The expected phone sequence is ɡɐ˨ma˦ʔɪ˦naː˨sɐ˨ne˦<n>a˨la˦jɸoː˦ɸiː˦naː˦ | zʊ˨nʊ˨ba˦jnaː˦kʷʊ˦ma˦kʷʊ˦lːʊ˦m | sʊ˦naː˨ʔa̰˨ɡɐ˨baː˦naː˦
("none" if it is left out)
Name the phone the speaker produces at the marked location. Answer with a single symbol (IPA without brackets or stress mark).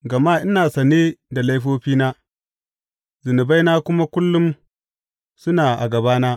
d